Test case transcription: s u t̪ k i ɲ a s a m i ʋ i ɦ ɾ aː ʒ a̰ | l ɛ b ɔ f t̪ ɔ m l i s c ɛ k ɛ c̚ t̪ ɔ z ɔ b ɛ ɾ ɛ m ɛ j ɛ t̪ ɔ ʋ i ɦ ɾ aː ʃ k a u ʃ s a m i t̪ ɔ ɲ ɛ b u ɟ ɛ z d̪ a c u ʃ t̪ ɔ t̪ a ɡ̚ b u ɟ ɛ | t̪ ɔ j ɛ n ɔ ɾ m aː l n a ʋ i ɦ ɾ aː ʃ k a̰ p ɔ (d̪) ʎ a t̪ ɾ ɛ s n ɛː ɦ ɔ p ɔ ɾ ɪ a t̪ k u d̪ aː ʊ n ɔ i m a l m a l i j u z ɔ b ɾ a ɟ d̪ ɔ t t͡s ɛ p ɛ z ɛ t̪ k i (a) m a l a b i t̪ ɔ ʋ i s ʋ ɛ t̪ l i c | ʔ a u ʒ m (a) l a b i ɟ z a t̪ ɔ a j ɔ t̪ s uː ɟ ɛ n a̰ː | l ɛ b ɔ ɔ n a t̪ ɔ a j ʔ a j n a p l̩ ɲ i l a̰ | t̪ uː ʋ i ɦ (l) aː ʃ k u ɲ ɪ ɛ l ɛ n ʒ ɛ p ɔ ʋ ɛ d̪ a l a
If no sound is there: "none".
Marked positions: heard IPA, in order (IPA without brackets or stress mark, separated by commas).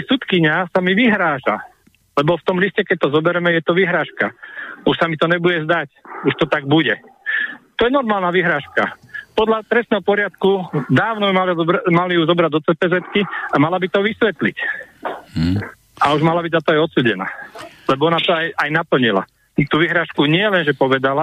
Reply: d̪, a, a, ɾ